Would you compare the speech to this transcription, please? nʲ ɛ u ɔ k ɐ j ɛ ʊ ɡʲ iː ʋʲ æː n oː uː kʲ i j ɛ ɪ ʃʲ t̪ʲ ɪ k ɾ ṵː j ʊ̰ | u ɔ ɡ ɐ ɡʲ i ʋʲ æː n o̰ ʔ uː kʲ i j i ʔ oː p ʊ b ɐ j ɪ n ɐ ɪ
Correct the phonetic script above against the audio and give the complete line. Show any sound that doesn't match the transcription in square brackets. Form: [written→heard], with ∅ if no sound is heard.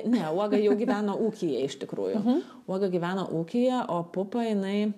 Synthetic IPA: nʲ ɛ u ɔ [k→ɡ] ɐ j ɛ ʊ ɡʲ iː ʋʲ æː n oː uː kʲ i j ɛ ɪ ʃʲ t̪ʲ ɪ k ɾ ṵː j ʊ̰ | u ɔ ɡ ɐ ɡʲ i ʋʲ æː n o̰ ʔ uː kʲ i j [i→ɛ] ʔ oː p ʊ [b→p] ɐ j ɪ n ɐ ɪ